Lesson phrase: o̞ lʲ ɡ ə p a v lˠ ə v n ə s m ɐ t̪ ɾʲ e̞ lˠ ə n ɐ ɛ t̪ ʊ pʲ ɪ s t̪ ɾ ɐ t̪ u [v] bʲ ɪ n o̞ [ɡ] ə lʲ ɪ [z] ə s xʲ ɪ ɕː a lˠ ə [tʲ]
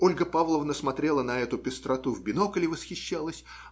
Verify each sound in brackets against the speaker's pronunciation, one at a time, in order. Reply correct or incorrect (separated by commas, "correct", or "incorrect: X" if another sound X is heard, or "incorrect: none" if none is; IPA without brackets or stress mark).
correct, incorrect: k, incorrect: v, incorrect: sʲ